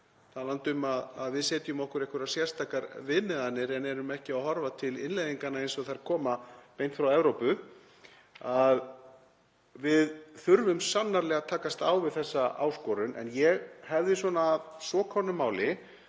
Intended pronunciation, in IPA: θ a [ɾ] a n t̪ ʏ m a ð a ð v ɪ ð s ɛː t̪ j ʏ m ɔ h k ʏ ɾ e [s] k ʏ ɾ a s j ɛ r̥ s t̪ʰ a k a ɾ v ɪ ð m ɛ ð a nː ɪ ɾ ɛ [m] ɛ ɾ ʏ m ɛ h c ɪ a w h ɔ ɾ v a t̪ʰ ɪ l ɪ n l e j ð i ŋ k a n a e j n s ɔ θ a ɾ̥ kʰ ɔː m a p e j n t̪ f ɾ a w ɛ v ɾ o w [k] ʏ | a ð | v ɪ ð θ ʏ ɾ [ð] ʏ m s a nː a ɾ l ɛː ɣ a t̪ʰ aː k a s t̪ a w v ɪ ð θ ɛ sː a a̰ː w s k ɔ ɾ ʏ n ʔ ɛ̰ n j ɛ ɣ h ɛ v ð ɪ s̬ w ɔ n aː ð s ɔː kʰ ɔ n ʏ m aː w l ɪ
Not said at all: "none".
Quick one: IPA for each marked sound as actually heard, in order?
l, h, n, p, v

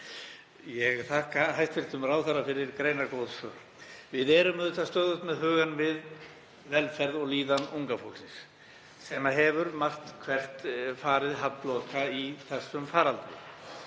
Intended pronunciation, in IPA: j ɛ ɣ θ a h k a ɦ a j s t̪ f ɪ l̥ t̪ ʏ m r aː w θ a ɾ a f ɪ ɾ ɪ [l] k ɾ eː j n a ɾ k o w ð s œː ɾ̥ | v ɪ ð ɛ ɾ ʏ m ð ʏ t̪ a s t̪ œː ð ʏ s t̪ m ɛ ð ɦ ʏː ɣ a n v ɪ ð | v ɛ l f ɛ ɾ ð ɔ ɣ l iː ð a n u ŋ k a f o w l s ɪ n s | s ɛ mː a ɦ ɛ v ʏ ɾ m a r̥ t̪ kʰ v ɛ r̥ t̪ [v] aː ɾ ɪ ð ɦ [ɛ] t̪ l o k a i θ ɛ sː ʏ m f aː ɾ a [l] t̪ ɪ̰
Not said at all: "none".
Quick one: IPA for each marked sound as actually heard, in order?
ɾ, f, a, l

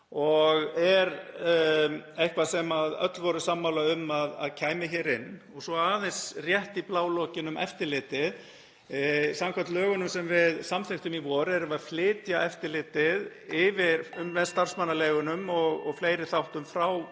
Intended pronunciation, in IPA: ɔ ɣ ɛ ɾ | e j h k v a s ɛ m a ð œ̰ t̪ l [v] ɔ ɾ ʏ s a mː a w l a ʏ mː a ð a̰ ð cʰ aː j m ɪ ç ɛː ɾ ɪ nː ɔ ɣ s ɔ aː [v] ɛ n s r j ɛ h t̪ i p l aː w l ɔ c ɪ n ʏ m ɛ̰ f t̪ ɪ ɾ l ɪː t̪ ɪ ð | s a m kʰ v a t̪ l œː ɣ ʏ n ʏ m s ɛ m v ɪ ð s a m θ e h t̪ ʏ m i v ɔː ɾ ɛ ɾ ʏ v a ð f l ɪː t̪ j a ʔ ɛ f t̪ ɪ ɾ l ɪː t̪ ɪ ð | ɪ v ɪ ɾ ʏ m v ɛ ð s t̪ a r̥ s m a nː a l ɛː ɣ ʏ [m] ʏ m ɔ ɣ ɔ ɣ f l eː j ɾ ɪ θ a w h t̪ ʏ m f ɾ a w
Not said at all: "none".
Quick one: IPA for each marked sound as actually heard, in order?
v, ð, n

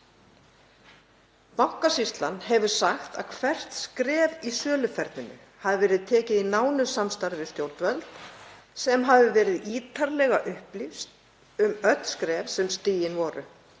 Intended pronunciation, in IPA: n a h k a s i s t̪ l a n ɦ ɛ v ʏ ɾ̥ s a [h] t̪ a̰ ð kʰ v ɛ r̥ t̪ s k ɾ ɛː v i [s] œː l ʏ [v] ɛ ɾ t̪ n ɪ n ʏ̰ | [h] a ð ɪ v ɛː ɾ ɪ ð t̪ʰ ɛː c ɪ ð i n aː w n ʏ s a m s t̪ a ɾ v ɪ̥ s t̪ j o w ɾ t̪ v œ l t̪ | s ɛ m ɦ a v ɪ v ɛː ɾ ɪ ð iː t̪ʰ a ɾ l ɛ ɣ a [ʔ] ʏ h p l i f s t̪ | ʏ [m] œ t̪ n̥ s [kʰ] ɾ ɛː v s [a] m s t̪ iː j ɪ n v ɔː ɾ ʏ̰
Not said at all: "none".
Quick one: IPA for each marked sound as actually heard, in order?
x, s, f, h, ʔ, m, k, ɛ

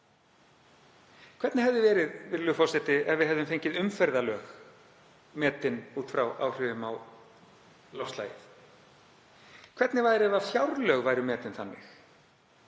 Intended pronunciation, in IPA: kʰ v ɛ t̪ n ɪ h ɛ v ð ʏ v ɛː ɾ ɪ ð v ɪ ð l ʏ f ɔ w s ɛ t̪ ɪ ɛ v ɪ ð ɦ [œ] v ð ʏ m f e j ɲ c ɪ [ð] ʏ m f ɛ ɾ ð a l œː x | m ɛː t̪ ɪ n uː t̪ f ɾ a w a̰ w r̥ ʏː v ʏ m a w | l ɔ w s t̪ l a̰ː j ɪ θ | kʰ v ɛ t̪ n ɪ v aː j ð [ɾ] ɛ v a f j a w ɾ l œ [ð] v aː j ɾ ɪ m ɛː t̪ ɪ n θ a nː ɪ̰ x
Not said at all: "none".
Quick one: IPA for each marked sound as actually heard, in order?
ɛ, ð, ɾ, ɣ

